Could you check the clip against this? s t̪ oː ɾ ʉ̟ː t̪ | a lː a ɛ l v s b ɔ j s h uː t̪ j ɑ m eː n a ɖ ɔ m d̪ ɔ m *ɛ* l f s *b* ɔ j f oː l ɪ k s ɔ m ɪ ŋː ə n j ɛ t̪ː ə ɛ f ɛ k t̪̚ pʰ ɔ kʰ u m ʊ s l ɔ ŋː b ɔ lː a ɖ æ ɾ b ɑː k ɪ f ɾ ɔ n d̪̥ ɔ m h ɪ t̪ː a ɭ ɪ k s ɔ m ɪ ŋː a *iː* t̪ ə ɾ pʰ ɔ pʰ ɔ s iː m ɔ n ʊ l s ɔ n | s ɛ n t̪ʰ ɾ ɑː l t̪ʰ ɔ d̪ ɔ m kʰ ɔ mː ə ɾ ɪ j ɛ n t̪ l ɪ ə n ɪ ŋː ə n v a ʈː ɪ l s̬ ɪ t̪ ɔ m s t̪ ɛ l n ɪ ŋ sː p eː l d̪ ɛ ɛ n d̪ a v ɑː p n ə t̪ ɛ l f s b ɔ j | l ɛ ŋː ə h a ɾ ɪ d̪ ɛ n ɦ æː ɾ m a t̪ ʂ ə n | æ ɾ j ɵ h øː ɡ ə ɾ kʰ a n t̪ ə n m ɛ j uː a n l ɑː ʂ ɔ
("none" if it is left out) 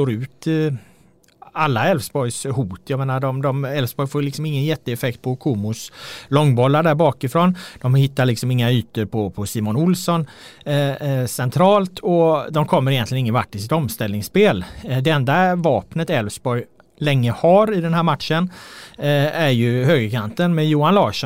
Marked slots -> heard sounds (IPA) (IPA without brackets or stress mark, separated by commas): ɛ, b, yː